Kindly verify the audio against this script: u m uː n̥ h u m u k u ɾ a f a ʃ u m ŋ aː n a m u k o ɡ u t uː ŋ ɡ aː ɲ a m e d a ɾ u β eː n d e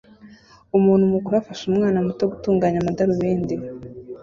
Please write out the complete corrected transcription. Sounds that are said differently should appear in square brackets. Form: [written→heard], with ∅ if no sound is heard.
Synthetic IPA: u m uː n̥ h u m u k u ɾ a f a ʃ u m ŋ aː n a m u [k→t] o ɡ u t uː ŋ ɡ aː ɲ a m [e→a] d a ɾ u β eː n d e